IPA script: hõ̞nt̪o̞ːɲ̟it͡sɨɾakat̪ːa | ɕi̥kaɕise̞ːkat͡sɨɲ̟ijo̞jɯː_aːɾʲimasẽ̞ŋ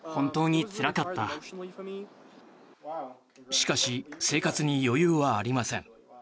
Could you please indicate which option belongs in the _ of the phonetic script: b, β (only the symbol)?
β